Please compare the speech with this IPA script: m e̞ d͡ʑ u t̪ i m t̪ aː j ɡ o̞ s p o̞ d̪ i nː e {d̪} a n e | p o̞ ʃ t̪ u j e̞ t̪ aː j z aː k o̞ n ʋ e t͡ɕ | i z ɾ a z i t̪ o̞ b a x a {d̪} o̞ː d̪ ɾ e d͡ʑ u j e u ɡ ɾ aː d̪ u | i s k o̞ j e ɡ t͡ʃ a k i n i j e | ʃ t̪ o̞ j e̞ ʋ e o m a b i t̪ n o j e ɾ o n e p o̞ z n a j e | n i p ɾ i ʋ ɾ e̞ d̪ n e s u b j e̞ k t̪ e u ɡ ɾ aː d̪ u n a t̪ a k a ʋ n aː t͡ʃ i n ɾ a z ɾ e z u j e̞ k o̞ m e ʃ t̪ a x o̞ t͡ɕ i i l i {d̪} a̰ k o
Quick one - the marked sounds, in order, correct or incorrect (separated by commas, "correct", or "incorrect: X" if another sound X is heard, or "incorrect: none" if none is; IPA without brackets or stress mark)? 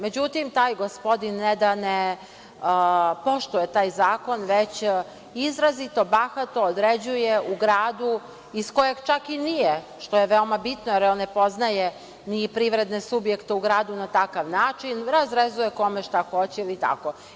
correct, incorrect: t̪, incorrect: t̪